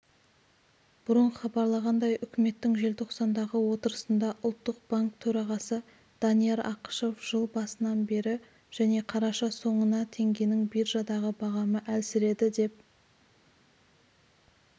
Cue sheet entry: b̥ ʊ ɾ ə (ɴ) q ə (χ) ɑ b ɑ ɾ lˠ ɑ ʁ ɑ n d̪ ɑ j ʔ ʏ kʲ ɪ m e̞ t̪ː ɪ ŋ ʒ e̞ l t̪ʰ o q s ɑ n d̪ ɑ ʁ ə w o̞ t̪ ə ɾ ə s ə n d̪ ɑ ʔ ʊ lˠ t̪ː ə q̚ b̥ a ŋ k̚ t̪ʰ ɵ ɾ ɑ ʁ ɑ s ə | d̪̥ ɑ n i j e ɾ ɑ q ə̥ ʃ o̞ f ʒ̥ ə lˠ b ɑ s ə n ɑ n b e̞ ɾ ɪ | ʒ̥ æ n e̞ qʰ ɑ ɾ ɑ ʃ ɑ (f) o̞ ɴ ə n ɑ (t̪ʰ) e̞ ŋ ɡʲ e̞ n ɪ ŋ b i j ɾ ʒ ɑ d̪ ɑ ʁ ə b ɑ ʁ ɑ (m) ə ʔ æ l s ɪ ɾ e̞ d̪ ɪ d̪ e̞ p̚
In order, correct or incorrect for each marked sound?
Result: correct, correct, incorrect: s, correct, correct

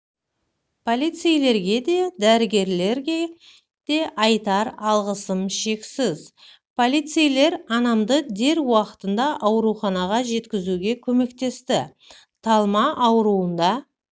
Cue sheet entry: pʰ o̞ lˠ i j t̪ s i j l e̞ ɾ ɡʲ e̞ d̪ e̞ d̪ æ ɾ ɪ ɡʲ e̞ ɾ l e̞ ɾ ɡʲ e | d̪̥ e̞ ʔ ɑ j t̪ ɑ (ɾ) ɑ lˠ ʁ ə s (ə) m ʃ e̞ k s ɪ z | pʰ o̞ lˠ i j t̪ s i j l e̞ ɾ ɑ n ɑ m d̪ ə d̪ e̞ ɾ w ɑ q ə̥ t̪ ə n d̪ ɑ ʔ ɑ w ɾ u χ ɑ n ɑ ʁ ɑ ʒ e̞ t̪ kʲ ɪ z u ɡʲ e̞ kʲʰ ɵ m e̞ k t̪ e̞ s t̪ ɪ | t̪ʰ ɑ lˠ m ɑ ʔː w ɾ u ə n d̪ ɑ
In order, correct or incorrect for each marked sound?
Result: correct, correct

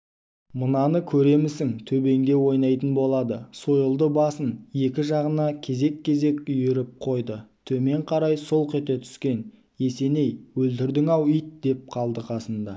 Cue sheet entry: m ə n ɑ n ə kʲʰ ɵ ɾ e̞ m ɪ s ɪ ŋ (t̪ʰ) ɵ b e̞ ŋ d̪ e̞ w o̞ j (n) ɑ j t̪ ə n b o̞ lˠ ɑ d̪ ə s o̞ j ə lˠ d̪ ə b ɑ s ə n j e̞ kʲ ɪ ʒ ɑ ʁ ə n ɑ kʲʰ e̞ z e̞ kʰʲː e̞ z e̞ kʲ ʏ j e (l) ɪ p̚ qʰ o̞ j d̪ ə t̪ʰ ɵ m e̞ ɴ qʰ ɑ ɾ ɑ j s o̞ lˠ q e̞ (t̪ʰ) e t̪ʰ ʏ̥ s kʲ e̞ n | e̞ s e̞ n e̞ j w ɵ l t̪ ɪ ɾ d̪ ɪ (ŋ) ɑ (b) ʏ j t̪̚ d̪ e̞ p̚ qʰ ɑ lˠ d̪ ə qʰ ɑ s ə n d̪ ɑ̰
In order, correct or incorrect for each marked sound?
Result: correct, correct, incorrect: ɾ, incorrect: t̪, correct, incorrect: w

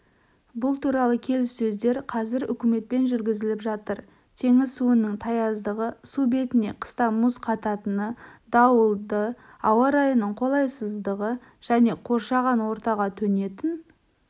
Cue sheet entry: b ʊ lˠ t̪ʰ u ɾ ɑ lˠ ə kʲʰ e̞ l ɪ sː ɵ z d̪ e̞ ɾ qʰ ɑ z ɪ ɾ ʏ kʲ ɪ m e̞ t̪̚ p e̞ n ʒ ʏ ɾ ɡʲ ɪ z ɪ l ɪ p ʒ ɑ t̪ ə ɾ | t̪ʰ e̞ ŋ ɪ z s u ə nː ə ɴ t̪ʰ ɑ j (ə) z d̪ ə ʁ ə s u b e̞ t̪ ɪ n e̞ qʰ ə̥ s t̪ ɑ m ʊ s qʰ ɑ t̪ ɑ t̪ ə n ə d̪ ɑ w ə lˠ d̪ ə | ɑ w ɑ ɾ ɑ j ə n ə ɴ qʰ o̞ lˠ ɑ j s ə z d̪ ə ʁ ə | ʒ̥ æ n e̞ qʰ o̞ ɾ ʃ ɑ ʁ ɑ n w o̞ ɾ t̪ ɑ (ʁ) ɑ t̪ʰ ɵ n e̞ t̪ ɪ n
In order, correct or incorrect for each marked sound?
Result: incorrect: ɑ, correct

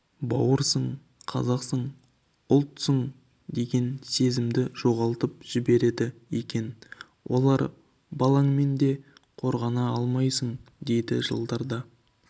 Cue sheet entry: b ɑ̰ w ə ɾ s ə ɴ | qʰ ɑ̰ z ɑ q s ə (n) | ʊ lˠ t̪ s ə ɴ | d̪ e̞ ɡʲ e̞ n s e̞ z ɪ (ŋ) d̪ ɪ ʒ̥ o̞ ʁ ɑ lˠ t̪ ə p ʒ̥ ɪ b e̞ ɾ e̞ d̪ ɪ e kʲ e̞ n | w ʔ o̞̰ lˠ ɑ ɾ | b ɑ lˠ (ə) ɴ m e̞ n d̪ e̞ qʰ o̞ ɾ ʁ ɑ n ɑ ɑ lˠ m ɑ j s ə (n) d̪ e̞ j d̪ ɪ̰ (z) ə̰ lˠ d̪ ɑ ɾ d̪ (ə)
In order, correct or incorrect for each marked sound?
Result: incorrect: ɴ, incorrect: m, incorrect: ɑ, incorrect: ɴ, incorrect: ʒ, incorrect: ɑ

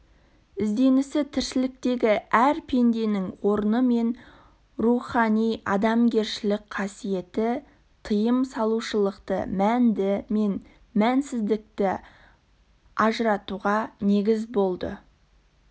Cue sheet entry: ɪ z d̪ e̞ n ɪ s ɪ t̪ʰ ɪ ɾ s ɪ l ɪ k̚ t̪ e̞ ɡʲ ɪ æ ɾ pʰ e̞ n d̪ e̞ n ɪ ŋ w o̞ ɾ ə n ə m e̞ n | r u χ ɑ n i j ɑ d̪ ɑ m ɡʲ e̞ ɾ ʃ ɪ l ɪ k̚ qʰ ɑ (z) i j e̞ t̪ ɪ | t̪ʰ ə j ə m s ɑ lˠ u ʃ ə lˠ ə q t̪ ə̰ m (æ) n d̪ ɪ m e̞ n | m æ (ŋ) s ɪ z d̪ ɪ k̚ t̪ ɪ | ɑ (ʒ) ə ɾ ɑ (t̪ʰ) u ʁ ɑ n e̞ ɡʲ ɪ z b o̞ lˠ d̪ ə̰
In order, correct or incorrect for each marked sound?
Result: incorrect: s, correct, incorrect: n, correct, incorrect: t̪

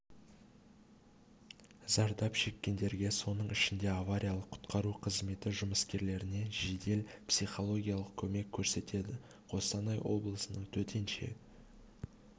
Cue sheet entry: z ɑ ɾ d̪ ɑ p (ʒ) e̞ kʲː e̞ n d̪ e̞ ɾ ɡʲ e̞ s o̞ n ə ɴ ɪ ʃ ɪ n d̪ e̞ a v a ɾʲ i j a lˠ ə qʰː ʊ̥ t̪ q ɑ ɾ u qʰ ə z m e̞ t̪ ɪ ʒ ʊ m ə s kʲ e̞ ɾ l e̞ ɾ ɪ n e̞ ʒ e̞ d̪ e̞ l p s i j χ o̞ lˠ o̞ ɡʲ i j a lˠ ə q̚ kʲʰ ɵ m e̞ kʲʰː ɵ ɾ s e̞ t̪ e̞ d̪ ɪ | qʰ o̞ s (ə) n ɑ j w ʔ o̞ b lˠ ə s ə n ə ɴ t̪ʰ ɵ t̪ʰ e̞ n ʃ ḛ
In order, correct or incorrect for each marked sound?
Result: incorrect: ʃ, incorrect: ɑ

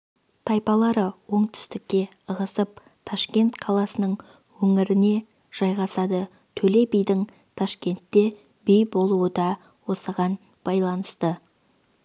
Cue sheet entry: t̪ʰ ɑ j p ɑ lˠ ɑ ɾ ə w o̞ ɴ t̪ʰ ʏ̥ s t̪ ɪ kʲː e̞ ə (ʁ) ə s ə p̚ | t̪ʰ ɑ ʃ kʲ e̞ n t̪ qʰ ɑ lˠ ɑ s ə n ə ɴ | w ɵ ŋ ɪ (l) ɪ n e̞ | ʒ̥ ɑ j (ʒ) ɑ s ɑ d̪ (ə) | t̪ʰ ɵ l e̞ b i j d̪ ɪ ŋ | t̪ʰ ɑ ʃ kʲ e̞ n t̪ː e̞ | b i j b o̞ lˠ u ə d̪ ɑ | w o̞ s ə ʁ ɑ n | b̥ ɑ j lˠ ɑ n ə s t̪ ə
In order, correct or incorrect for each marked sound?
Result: correct, incorrect: ɾ, incorrect: ʁ, correct

